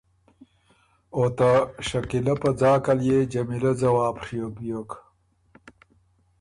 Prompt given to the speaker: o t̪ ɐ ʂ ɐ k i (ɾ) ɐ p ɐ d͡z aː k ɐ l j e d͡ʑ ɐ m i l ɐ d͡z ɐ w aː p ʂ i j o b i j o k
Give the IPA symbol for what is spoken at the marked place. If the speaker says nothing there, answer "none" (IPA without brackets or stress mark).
l